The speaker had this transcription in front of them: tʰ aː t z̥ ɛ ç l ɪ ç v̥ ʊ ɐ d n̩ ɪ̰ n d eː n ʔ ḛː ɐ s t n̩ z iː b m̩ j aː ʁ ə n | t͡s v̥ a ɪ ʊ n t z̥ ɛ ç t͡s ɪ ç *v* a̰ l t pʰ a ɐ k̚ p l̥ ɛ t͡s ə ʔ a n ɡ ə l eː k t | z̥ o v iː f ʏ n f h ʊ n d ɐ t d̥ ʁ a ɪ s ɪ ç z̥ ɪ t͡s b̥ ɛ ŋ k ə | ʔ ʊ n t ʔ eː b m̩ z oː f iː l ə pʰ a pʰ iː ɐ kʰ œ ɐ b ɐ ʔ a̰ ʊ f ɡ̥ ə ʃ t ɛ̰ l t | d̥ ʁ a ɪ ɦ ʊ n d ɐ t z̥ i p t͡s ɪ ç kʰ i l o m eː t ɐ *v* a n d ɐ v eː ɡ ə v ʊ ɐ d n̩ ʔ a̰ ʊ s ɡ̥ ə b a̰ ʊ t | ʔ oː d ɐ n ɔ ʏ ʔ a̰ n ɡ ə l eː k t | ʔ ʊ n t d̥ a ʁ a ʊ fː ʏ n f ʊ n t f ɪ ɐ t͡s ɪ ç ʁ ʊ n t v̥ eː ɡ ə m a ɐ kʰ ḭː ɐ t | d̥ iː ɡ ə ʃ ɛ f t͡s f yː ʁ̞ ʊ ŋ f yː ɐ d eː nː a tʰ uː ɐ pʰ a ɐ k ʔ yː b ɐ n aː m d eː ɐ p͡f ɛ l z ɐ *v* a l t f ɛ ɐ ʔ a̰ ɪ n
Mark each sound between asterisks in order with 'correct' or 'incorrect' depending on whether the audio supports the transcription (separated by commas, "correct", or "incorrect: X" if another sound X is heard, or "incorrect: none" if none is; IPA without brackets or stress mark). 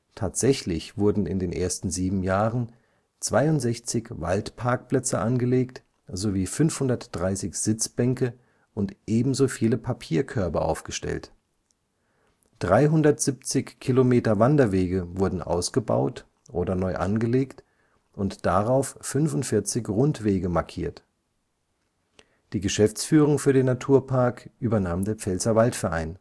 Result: correct, correct, correct